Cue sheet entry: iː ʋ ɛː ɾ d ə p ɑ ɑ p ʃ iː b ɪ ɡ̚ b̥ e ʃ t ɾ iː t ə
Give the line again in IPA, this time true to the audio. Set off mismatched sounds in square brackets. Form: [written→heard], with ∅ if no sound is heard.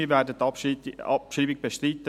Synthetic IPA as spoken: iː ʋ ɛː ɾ d ə [p→t] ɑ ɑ p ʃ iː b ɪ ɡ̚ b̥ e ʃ t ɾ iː t ə